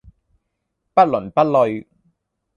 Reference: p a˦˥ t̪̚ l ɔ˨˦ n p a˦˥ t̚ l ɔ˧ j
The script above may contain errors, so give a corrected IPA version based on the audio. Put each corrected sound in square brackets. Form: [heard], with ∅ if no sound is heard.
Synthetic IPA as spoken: p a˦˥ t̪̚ l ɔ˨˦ n p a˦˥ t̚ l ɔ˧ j